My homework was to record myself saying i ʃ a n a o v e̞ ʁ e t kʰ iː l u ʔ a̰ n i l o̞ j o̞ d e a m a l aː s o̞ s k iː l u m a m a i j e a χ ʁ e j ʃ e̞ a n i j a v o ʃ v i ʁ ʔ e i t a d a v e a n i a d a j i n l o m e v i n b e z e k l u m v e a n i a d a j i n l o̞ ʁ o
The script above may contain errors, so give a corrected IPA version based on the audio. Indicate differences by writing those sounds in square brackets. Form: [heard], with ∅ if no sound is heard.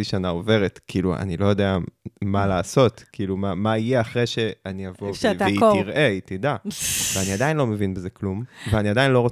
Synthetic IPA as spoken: i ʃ a n a o v e̞ ʁ e t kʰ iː l u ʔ a̰ n i l o̞ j o̞ d e a m a l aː s o̞ [t] k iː l u m a m a i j e a χ ʁ e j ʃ e̞ a n i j a v o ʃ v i ʁ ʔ e i t [i] d a v e a n i a d a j i n l o m e v i n b e z e k l u m v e a n i a d a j i n l o̞ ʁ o